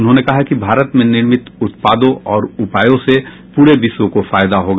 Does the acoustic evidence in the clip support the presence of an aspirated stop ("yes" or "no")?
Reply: no